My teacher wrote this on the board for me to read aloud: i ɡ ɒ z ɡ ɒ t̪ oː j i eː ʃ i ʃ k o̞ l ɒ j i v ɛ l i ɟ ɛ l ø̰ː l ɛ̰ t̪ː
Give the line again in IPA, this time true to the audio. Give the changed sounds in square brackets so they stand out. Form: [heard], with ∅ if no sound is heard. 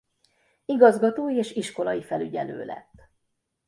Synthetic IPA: i ɡ ɒ z ɡ ɒ t̪ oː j i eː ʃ i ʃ k o̞ l ɒ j i [f] ɛ l [y] ɟ ɛ l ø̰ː l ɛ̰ t̪ː